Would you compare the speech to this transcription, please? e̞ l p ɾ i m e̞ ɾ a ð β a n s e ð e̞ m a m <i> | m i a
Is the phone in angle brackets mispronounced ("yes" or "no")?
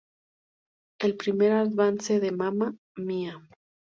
yes